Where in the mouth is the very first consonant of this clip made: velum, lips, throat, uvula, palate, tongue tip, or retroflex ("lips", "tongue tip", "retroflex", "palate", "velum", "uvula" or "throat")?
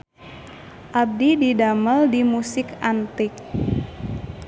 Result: throat